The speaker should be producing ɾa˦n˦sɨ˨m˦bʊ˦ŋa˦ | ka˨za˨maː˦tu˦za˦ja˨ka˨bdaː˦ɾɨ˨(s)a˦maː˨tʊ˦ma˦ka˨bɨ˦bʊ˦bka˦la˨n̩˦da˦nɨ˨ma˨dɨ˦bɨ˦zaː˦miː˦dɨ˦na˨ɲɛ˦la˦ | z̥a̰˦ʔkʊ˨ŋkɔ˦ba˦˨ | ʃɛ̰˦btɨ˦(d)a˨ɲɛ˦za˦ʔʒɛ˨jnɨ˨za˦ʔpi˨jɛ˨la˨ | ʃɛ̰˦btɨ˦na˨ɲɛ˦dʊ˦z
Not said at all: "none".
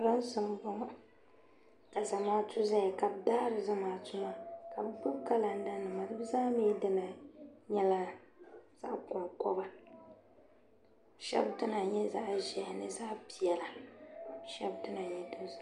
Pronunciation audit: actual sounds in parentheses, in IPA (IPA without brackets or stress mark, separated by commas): z, n